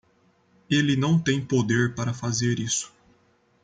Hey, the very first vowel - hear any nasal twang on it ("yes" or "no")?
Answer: no